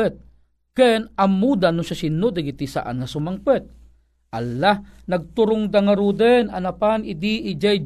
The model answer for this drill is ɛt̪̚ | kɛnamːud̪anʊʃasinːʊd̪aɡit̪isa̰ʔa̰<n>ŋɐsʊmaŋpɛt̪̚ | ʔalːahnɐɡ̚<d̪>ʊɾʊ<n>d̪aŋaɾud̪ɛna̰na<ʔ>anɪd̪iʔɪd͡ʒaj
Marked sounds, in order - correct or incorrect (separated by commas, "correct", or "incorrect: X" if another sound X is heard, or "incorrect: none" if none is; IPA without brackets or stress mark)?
correct, incorrect: t̪, incorrect: ŋ, incorrect: p